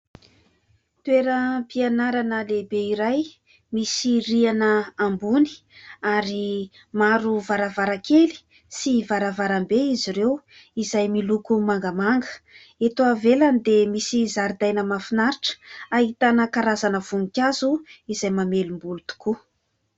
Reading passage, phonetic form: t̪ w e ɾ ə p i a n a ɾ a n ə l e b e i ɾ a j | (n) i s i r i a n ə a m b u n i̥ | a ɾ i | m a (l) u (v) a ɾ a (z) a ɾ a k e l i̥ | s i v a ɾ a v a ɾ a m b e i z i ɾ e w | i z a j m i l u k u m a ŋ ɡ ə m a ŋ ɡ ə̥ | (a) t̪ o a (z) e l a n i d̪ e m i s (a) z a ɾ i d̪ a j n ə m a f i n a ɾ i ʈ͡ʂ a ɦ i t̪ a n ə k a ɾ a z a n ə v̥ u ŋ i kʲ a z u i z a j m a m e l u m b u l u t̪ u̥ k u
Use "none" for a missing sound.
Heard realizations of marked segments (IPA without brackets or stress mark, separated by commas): m, ɾ, v, v, e, v, i